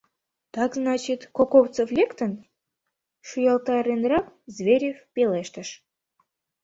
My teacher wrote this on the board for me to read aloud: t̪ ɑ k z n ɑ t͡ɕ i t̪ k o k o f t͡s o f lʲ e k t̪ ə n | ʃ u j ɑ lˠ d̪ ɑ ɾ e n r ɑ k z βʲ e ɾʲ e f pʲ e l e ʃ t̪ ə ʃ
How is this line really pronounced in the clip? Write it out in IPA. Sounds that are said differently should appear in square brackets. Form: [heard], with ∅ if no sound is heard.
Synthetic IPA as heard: t̪ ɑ k z n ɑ t͡ɕ i t̪ k o k o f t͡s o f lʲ e k t̪ ə n | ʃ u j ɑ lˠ [t̪] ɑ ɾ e n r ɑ k z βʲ e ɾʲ e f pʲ e l e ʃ t̪ ə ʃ

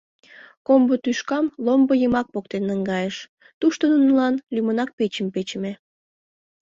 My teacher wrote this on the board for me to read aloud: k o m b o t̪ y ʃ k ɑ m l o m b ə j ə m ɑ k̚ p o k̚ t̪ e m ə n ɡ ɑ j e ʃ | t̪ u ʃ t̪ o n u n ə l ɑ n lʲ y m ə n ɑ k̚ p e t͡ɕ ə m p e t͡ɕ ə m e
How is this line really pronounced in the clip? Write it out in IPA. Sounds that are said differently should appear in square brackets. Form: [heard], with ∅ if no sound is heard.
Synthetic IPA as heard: k o m b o t̪ y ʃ k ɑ m l o m b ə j ə m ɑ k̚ p o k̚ t̪ e [n] ə [ŋ] ɡ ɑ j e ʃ | t̪ u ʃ t̪ o n u n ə l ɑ n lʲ y m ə n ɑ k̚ p e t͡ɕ ə m p e t͡ɕ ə m e

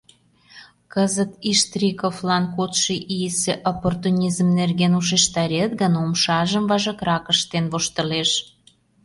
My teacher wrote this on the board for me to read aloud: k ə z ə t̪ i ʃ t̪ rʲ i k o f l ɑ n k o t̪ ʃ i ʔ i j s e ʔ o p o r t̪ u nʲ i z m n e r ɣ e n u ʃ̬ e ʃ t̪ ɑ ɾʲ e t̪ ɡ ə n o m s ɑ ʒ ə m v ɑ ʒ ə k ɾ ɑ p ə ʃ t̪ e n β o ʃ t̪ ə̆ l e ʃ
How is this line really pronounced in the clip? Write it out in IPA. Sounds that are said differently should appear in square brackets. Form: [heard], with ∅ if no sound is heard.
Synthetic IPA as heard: k ə z ə t̪ i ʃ t̪ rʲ i k o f l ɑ n k o t̪ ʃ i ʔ i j s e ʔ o p o r t̪ u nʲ i z m n e r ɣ e n u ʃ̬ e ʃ t̪ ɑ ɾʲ e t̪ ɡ ə n o m [ʃ] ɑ ʒ ə m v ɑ ʒ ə k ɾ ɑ [k] ə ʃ t̪ e n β o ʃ t̪ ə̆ l e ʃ

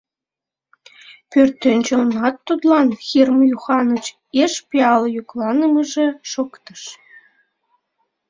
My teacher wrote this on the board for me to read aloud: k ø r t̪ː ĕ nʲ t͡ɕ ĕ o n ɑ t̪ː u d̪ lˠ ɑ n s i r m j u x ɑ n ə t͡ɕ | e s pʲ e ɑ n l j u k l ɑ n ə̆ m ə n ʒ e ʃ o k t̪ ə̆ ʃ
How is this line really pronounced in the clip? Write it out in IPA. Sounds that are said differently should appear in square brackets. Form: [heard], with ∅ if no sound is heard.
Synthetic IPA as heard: [p] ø r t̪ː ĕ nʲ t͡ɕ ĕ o n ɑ t̪ː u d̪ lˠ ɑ n [x] i r m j u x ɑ n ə t͡ɕ | e [ʃ] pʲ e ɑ [∅] l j u k l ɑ n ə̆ m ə [∅] ʒ e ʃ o k t̪ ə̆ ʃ

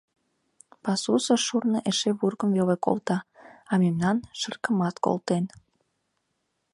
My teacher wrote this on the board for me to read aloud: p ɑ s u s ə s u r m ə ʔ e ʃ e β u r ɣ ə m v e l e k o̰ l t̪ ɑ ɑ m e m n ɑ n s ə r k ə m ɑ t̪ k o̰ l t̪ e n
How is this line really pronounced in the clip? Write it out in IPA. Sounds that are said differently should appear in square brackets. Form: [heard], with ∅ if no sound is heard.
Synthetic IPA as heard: p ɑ s u s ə [ʃ] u r [n] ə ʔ e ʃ e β u r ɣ ə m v e l e k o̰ l t̪ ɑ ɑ m e m n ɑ n [ʃ] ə r k ə m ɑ t̪ k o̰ l t̪ e n

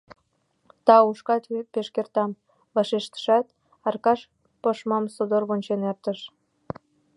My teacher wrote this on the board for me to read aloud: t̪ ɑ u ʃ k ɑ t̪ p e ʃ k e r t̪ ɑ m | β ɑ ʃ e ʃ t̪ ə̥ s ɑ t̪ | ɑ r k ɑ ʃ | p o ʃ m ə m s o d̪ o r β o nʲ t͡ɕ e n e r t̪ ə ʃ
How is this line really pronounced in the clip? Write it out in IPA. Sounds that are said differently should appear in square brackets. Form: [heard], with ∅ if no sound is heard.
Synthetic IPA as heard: t̪ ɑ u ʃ k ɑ t̪ p e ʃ k e r t̪ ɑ m | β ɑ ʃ e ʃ t̪ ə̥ [ʃ] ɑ t̪ | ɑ r k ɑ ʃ | p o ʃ m [ɑ] m s o d̪ o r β o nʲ t͡ɕ e n e r t̪ ə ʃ

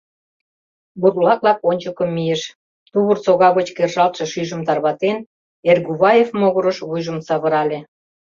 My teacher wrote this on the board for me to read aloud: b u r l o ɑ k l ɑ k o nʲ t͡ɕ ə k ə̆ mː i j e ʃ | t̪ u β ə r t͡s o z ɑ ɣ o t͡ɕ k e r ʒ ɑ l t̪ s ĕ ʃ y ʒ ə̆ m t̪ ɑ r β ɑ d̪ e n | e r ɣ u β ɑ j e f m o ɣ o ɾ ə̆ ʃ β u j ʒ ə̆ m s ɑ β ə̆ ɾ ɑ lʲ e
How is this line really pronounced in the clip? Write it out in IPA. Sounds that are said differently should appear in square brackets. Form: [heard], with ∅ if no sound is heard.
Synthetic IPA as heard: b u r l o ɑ k l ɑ k o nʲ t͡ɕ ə k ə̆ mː i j e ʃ | t̪ u β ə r t͡s o [ɣ] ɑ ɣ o t͡ɕ k e r ʒ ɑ l t̪ [ʃ] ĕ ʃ y ʒ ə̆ m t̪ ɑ r β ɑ [t̪] e n | e r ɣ u β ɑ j e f m o ɣ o ɾ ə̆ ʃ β u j ʒ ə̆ m s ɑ β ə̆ ɾ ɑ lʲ e

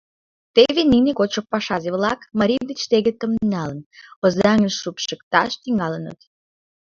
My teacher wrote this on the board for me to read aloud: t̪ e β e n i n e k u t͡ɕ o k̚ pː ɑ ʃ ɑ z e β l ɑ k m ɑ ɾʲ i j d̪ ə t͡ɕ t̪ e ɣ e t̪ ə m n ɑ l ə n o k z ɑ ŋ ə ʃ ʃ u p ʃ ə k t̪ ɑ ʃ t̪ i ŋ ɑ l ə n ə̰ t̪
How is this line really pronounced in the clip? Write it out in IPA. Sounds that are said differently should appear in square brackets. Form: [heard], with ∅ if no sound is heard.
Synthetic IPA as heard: t̪ e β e n i n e k [o] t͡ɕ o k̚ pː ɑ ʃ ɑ z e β l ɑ k m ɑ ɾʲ i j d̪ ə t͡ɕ t̪ e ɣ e t̪ ə m n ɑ l ə n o [∅] z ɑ ŋ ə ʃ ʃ u p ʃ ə k t̪ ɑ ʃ t̪ i ŋ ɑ l ə n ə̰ t̪

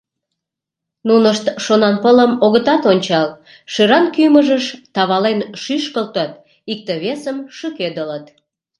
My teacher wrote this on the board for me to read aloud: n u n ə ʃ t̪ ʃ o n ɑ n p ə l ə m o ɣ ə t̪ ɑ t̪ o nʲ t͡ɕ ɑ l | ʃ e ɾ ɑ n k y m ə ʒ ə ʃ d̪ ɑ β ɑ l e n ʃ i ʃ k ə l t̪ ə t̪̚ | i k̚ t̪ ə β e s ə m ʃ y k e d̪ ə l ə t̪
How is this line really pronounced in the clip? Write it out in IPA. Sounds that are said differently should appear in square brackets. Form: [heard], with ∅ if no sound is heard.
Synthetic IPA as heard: n u n ə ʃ t̪ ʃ o n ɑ n p ə l ə m o ɣ ə t̪ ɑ t̪ o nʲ t͡ɕ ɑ l | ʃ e ɾ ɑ n k y m ə ʒ ə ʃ [t̪] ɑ β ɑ l e n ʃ [y] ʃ k ə l t̪ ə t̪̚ | i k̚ t̪ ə β e s ə m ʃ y k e d̪ ə l ə t̪

